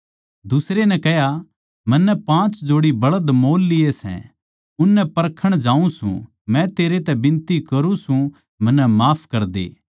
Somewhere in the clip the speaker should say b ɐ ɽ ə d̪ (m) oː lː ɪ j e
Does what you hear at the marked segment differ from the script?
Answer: no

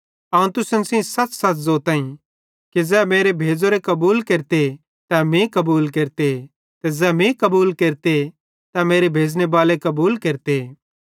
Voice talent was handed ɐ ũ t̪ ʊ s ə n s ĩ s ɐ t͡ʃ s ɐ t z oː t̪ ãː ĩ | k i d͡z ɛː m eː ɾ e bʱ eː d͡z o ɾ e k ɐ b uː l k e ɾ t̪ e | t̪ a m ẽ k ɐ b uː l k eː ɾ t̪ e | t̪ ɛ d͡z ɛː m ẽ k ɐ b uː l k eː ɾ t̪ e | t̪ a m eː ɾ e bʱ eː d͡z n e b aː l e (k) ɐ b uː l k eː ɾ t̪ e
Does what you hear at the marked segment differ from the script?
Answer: no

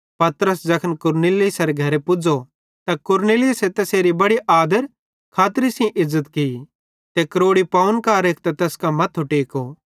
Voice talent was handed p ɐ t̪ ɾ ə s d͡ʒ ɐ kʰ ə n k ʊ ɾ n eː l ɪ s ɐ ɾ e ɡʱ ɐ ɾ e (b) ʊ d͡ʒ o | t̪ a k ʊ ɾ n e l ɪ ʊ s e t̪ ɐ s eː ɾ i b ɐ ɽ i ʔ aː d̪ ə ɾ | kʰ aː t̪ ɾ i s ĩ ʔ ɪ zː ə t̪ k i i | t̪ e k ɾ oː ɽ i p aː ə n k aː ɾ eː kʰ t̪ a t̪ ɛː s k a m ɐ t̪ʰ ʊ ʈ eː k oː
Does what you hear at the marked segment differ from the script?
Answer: yes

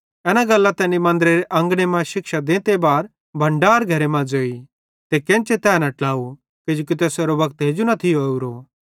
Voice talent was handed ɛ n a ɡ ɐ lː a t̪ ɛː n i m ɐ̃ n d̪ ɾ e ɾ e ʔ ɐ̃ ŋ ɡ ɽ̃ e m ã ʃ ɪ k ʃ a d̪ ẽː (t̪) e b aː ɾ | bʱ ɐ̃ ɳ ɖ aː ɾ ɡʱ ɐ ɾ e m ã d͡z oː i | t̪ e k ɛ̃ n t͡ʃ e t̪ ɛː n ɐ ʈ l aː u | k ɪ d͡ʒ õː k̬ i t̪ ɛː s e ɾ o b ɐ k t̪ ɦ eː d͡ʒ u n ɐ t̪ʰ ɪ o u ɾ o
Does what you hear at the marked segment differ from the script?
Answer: no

